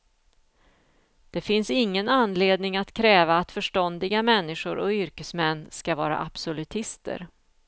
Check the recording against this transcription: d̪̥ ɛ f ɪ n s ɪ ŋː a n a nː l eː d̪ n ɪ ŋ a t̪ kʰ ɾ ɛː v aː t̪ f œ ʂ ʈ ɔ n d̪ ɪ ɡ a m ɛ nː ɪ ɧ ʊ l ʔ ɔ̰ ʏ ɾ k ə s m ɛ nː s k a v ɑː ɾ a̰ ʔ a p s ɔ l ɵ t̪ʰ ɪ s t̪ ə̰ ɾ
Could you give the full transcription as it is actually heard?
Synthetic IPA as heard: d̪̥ ɛ f ɪ n s ɪ ŋː ə n a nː l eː d̪ n ɪ ŋ a t̪ kʰ ɾ ɛː v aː t̪ f œ ʂ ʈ ɔ n d̪ ɪ ɡ a m ɛ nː ɪ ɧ ʊ ɾ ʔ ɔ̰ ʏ ɾ k ə s m ɛ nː s k a v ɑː ɾ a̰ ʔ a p s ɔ l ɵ t̪ʰ ɪ s t̪ ə̰ ɾ